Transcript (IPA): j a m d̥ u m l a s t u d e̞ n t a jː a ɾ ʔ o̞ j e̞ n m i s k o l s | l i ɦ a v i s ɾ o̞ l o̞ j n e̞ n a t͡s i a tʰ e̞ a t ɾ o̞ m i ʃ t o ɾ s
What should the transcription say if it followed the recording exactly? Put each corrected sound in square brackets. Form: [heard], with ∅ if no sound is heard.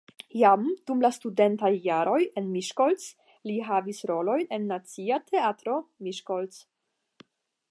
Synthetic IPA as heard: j a m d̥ u m l a s t u d e̞ n t a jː a ɾ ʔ o̞ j e̞ n m i [ʃ] k o l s | l i ɦ a v i s ɾ o̞ l o̞ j n e̞ [nː] a t͡s i a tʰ e̞ a t ɾ o̞ m i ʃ [k] o [l] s